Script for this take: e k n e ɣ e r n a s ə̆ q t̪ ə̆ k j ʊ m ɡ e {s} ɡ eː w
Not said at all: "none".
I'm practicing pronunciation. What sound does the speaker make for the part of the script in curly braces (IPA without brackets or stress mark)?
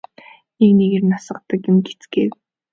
t͡s